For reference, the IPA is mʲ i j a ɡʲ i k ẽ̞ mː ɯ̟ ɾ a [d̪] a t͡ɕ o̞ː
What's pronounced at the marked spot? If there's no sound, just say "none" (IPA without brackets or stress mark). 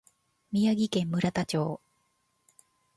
t̪